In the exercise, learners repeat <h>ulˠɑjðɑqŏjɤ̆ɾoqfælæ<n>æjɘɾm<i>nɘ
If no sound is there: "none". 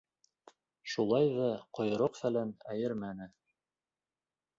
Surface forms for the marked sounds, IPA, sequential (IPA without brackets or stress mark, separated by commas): ʃ, n, æ